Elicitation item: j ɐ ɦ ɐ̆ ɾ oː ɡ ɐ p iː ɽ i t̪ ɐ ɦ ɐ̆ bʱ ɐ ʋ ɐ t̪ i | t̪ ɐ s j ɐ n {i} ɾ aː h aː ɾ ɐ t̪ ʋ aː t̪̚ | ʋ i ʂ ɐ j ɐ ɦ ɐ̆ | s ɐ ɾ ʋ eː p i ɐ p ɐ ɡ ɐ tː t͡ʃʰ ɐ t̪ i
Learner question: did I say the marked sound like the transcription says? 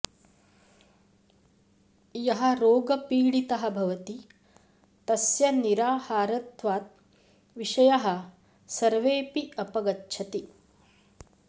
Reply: yes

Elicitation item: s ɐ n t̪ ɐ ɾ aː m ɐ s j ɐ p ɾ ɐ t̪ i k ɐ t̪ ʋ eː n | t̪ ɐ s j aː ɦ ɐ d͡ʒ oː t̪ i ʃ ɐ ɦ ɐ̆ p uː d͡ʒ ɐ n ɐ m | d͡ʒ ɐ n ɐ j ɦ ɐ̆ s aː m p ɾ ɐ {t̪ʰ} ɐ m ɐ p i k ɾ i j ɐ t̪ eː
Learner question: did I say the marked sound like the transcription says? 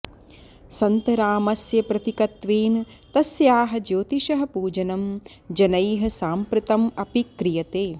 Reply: no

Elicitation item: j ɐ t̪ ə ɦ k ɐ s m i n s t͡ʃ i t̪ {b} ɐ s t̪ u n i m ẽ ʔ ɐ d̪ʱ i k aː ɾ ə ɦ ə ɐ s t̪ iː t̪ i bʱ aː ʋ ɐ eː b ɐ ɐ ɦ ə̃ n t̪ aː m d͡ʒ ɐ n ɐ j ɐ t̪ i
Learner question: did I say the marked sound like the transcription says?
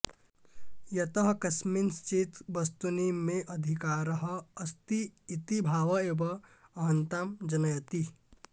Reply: yes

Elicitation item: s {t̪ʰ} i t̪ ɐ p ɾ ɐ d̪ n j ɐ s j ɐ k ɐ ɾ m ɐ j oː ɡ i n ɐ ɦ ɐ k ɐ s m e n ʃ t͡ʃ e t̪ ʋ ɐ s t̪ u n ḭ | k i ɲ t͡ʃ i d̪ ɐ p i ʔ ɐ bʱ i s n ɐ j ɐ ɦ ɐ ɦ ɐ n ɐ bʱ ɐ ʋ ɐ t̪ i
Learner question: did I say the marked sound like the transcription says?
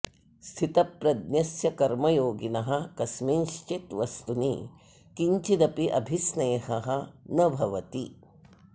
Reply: yes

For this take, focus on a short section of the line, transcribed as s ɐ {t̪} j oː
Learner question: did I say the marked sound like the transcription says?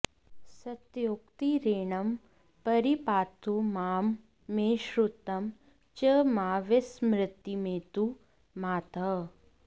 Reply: yes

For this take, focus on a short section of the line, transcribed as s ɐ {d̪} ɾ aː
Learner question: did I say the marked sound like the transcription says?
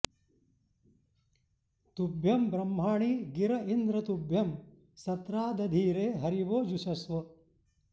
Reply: no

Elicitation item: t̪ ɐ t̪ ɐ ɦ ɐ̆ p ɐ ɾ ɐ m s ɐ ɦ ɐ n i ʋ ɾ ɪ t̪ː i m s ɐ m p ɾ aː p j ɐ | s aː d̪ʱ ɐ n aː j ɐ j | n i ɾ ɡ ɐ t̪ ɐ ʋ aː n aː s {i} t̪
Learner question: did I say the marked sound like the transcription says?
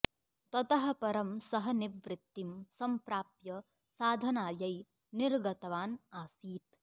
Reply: no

